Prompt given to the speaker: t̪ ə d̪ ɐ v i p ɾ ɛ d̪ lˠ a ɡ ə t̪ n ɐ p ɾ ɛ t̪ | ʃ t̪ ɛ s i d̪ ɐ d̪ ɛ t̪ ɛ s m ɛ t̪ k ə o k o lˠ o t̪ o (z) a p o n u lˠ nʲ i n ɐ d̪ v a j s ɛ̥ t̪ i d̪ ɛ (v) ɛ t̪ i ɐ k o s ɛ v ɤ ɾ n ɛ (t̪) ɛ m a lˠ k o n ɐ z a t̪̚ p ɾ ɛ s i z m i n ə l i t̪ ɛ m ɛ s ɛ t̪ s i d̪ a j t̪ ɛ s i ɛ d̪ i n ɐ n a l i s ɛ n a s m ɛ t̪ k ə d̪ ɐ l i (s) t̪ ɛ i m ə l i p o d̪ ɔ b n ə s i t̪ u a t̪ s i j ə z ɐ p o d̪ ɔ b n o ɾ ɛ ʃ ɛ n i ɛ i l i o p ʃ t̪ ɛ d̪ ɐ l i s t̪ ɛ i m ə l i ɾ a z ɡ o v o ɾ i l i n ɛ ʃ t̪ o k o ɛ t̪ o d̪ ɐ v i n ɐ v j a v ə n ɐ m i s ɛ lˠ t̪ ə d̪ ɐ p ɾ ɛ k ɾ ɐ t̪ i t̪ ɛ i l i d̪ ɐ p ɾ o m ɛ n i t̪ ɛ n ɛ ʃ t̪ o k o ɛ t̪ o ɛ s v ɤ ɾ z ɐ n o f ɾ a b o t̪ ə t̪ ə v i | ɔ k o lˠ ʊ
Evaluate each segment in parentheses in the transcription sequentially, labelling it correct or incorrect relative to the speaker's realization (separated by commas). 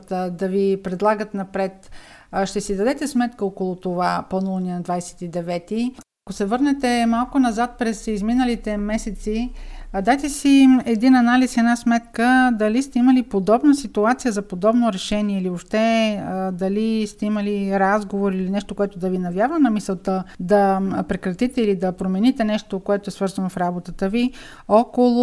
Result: incorrect, correct, correct, correct